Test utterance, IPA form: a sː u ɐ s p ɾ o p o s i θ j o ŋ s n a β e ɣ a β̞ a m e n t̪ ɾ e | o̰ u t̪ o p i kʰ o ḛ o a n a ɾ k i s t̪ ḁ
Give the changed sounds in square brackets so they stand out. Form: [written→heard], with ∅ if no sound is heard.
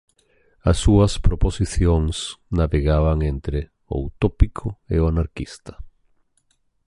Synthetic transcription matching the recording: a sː u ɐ s p ɾ o p o s i θ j o ŋ s n a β e ɣ a β̞ a [m→ŋ] e n t̪ ɾ e | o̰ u t̪ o p i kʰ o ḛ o a n a ɾ k i s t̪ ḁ